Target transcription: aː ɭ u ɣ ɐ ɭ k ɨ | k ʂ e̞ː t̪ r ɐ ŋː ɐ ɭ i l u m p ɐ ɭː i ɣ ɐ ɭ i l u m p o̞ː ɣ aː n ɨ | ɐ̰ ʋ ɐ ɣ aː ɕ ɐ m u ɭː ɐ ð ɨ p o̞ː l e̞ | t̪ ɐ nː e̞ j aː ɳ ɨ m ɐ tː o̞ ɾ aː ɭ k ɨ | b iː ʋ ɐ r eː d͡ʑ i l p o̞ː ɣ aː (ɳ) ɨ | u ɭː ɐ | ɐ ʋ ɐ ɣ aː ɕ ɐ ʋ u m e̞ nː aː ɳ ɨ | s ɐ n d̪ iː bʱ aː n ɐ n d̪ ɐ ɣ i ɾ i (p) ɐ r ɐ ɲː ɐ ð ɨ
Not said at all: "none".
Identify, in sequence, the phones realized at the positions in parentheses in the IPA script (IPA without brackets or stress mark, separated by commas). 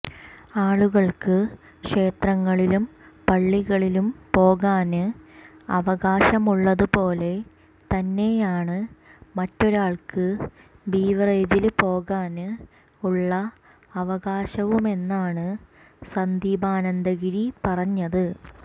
n, p